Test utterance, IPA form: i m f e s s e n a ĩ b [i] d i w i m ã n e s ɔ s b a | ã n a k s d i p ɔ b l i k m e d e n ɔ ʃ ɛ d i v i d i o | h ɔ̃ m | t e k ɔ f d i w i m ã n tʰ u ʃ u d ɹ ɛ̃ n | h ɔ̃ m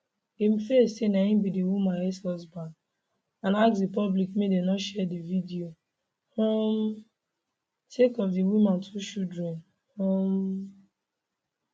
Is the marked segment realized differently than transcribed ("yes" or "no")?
no